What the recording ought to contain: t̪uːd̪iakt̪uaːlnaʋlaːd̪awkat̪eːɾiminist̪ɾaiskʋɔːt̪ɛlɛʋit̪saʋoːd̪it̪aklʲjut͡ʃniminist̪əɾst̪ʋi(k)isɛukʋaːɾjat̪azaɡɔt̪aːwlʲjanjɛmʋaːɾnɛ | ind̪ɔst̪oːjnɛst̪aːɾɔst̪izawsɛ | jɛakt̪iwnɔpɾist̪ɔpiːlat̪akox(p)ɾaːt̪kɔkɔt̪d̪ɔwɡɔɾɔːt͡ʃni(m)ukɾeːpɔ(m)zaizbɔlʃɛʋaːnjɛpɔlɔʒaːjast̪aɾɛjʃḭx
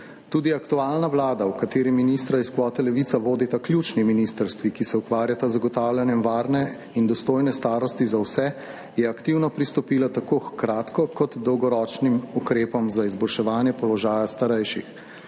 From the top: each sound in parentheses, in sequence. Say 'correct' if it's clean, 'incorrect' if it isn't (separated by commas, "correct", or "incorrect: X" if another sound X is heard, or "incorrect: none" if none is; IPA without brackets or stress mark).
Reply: correct, incorrect: k, correct, correct